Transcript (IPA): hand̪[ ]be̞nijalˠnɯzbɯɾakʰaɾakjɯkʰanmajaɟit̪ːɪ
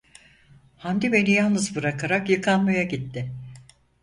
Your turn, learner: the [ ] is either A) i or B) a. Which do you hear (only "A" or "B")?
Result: A